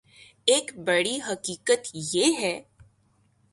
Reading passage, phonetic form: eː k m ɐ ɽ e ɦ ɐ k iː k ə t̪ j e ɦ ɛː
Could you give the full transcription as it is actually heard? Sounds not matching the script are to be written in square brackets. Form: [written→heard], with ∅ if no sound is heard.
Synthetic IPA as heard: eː k [m→b] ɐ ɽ [e→i] ɦ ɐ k iː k ə t̪ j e ɦ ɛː